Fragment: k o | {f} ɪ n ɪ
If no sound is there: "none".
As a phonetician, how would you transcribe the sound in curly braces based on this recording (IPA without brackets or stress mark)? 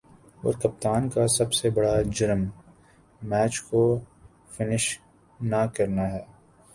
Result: f